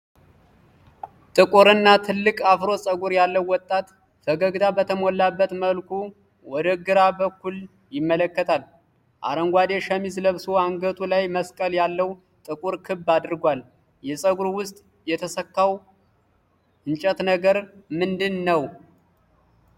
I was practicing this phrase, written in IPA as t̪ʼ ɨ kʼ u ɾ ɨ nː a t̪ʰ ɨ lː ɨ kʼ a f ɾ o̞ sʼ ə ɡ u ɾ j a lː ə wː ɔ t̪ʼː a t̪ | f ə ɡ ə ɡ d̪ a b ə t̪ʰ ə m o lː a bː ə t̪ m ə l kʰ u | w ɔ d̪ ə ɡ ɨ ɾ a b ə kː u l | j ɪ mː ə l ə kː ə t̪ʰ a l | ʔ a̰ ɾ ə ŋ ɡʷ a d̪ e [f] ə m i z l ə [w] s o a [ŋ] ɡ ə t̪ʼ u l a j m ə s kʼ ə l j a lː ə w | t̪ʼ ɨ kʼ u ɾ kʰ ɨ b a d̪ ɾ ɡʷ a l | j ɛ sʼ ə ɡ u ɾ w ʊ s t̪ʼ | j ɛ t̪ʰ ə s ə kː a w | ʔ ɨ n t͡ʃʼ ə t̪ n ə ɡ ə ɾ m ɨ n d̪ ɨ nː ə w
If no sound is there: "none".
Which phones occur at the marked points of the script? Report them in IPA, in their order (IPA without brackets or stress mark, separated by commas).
ʃ, β, ŋ